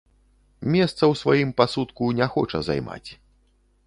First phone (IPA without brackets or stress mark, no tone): mʲ